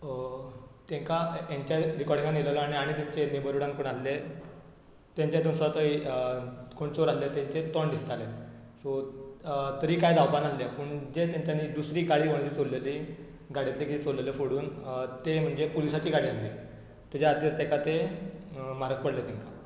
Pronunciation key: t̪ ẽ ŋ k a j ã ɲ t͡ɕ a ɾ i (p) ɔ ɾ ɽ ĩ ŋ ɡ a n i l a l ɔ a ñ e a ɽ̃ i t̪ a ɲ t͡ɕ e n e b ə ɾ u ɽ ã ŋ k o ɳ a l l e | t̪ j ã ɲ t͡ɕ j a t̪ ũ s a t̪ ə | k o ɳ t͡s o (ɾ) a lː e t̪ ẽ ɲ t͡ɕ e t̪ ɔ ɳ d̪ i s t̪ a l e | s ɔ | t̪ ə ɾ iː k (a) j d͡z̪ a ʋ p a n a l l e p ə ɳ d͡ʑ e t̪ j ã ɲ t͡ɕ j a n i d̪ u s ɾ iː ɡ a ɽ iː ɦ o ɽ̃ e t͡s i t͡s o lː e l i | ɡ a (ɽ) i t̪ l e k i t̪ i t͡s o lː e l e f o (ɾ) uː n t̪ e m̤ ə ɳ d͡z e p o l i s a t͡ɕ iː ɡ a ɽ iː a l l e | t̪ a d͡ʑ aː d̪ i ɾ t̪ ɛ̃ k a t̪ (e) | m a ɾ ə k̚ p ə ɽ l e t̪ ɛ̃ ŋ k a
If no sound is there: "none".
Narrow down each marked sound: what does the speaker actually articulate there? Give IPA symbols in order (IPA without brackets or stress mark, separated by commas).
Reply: k, ɾ, a, ɽ, ɽ, e